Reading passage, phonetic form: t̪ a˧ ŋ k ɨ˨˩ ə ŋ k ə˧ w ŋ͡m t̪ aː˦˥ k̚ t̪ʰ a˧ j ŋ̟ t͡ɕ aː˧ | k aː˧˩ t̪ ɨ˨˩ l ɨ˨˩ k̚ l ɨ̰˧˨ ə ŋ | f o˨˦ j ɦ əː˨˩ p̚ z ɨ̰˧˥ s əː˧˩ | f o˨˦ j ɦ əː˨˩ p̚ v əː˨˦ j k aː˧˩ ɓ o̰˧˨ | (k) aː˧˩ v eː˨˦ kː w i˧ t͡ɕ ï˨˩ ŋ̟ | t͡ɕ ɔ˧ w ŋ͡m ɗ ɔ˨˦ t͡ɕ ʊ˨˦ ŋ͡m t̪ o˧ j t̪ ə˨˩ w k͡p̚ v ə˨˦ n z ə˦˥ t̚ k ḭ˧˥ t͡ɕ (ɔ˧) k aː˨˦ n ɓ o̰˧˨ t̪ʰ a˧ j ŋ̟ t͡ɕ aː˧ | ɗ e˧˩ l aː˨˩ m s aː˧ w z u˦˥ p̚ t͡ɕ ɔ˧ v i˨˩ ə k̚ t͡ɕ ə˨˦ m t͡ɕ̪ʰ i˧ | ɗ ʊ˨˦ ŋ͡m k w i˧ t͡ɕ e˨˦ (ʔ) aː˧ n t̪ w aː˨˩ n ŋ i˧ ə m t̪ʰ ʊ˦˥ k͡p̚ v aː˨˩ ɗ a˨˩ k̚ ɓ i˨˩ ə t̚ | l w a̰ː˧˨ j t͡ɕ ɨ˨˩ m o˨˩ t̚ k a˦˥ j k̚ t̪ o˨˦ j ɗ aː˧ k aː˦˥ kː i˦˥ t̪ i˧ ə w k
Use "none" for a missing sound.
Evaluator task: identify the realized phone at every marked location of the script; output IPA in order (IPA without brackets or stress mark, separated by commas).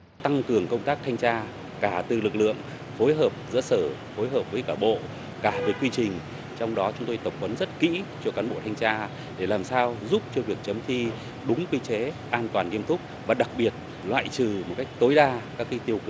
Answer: k, ɔ˧, ʔ